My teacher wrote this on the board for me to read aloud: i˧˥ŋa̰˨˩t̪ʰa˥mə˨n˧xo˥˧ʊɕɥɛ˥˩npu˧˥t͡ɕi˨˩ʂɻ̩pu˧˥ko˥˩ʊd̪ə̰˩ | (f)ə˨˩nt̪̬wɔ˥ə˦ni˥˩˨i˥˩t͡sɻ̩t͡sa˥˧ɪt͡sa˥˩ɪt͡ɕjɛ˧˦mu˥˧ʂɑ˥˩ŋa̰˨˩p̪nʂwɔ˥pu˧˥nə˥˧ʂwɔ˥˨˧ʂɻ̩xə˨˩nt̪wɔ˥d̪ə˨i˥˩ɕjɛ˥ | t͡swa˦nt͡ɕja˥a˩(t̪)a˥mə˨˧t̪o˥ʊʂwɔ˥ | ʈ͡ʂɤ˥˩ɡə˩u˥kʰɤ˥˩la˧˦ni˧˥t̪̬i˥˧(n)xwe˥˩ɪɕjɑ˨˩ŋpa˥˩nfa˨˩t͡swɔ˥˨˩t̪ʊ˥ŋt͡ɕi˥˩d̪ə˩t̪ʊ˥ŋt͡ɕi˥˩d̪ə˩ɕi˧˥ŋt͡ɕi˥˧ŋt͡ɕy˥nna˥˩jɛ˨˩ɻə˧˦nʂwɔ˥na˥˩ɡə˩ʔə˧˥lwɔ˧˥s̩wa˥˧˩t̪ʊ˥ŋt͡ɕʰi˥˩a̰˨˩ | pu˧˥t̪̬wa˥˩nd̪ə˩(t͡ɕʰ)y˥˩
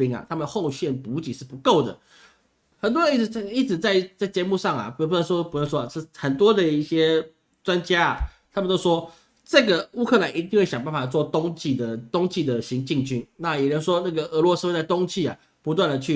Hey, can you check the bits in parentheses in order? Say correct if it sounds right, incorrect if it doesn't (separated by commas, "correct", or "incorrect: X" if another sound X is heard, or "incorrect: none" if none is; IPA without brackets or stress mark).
incorrect: x, incorrect: t̪ʰ, incorrect: ŋ, correct